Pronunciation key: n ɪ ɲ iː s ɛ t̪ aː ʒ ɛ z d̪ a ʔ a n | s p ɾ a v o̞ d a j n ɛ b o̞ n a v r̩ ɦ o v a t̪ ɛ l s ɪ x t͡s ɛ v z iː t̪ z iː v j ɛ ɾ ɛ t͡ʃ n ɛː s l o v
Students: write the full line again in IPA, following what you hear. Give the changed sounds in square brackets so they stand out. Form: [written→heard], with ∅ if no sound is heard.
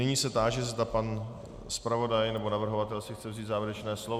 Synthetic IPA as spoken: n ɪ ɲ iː s ɛ t̪ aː ʒ ɛ z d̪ a [ʔ→p] a n | s p ɾ a v o̞ d a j n ɛ b o̞ n a v r̩ ɦ o v a t̪ ɛ l s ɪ x t͡s ɛ v z iː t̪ z [iː→aː] v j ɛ ɾ ɛ t͡ʃ n ɛː s l o v